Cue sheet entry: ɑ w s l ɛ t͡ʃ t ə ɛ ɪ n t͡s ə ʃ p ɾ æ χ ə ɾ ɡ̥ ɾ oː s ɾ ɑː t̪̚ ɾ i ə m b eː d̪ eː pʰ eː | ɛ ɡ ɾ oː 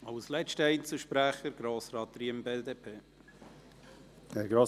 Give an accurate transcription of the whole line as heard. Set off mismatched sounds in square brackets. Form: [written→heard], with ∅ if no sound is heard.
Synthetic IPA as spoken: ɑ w s l ɛ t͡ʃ t ə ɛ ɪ n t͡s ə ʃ p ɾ æ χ ə ɾ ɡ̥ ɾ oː s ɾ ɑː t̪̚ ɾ i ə m b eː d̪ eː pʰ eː | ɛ ɡ ɾ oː